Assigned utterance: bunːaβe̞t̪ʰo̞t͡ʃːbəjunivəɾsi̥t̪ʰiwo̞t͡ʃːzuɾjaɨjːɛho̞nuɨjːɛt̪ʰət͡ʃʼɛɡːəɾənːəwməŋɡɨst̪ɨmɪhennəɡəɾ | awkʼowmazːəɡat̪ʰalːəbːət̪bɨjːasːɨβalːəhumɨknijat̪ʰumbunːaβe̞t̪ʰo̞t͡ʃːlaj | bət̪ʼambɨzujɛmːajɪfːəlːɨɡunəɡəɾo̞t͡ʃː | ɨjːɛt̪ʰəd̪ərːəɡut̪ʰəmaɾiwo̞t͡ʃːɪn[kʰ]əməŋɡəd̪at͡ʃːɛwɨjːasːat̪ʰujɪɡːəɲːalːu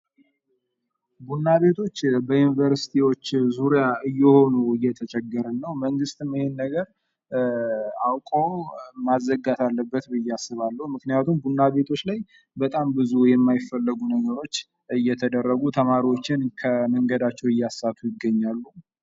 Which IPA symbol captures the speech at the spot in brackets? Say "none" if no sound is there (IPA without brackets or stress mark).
kʰ